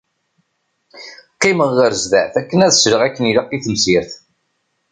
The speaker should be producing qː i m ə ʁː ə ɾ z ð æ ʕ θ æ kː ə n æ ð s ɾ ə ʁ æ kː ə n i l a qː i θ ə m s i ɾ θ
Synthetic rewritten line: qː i m ə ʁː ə ɾ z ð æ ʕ θ æ kː ə n æ ð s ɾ ə ʁ æ kː ə n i l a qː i θ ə m s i ɾ θ